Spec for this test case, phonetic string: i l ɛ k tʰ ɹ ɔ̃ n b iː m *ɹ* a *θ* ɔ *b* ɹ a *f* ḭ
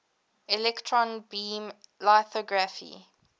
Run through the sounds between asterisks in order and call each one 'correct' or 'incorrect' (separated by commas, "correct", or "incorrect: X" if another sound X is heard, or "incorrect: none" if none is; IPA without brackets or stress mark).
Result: incorrect: l, correct, incorrect: ɡ, correct